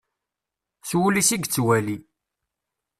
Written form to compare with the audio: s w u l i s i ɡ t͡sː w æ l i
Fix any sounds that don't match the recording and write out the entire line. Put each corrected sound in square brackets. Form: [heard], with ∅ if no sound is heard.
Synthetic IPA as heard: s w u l i s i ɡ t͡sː w æ l i